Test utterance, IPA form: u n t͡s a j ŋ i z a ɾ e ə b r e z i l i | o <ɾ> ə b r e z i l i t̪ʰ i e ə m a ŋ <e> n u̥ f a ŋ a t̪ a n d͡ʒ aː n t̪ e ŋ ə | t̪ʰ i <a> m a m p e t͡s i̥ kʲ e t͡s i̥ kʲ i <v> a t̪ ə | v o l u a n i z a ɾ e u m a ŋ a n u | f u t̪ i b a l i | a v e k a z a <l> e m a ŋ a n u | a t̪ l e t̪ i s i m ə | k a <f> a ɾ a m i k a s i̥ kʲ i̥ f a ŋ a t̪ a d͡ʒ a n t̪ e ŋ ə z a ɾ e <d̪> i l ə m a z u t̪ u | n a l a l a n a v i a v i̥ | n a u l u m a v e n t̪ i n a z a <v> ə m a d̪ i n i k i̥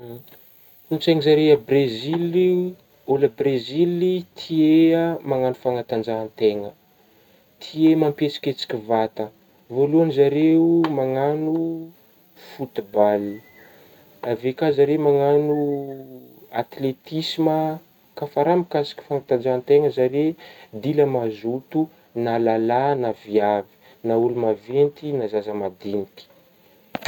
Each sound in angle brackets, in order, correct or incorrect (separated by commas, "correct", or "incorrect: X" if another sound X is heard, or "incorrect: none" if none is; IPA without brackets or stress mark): incorrect: l, incorrect: a, incorrect: e, correct, incorrect: ɾ, correct, correct, incorrect: z